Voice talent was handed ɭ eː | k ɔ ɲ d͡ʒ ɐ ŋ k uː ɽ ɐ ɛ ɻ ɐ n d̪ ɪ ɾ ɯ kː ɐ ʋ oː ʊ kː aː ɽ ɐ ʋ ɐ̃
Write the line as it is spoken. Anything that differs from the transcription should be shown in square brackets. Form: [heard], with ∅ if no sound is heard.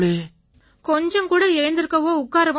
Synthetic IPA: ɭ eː | k ɔ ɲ d͡ʒ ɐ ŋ k uː ɽ ɐ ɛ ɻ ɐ n d̪ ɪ ɾ ɯ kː ɐ ʋ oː ʊ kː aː [ɾ] ɐ ʋ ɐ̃